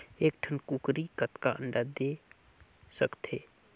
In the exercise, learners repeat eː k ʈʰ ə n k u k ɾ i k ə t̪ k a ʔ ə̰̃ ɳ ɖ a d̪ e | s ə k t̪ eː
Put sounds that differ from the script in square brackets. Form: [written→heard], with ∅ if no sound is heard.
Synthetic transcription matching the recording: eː k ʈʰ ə n k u k ɾ i k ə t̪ k a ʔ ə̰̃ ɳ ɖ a d̪ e | s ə k t̪ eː